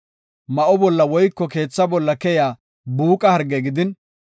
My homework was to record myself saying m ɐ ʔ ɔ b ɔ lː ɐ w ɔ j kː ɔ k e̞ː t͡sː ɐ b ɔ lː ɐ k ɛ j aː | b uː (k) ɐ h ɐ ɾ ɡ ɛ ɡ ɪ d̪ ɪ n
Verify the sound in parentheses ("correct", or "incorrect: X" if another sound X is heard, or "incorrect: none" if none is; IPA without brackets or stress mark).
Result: incorrect: kʼ